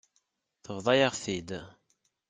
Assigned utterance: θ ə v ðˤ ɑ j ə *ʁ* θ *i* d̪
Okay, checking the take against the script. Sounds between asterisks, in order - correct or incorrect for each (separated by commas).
correct, correct